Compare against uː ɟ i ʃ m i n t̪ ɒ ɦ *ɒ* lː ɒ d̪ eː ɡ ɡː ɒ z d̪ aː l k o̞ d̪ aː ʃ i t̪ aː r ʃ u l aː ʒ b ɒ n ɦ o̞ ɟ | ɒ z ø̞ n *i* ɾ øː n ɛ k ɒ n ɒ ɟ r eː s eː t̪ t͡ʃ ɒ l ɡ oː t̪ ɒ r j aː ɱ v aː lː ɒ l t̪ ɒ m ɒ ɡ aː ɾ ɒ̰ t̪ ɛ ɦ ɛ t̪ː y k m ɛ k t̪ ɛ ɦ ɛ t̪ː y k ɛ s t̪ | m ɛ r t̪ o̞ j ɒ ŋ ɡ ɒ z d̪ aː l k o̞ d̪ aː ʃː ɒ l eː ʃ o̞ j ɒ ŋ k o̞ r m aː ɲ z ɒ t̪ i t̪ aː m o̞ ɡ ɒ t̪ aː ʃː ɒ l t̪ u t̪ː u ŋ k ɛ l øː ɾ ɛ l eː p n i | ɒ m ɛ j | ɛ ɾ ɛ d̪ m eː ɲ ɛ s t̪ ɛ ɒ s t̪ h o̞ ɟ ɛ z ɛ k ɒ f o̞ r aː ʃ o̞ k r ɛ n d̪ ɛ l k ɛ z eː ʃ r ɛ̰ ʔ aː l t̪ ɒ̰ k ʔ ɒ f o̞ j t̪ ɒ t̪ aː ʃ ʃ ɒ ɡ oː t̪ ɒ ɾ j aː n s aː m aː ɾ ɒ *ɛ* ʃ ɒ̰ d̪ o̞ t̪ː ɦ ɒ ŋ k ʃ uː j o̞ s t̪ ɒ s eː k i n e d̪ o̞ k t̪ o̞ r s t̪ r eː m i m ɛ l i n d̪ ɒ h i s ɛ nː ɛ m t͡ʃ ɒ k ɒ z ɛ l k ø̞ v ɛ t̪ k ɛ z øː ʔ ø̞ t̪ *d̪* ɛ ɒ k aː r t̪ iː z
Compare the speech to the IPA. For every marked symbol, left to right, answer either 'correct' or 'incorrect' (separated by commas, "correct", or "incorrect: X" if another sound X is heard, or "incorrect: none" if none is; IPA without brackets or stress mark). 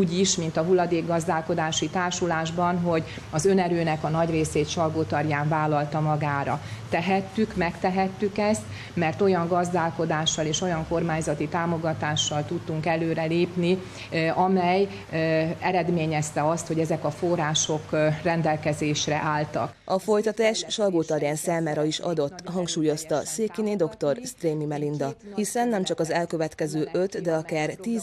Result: incorrect: u, incorrect: ɛ, incorrect: i, correct